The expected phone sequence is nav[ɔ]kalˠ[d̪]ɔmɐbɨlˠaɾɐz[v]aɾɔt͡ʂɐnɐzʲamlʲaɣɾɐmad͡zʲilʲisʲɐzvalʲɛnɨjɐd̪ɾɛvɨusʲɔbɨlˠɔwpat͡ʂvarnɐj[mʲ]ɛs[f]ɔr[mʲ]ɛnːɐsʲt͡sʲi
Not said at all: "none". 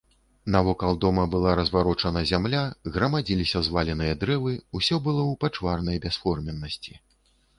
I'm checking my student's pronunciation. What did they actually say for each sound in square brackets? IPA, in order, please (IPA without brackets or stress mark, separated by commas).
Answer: ɔ, d̪, v, bʲ, f, mʲ